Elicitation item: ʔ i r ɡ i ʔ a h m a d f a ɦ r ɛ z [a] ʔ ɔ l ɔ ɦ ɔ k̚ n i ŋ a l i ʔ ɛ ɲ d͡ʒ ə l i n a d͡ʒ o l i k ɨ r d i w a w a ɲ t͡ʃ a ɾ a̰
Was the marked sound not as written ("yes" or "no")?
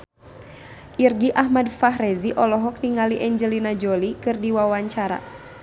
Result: yes